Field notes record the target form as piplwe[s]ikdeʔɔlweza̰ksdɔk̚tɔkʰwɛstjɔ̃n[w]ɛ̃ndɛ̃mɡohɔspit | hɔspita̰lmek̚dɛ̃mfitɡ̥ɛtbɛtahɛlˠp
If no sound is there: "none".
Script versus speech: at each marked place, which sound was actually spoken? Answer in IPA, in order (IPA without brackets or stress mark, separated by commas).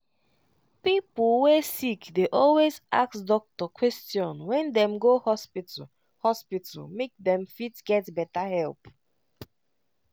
s, w